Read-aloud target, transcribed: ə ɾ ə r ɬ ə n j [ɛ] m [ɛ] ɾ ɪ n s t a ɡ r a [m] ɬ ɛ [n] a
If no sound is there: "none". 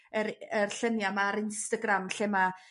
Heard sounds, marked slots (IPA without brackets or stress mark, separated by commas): a, a, m, m